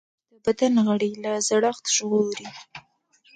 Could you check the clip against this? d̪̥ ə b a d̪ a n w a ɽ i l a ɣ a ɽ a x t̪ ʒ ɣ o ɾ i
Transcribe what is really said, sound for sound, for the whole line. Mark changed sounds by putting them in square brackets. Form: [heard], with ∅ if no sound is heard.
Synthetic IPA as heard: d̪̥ ə b a d̪ a n [ɣ] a ɽ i l a [z] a ɽ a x t̪ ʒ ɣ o ɾ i